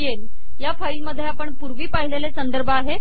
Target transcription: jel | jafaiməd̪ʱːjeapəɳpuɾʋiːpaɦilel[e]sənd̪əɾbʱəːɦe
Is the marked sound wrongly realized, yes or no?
no